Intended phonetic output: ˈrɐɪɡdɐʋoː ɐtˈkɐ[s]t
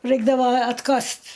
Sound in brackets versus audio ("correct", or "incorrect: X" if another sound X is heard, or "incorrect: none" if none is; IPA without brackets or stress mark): correct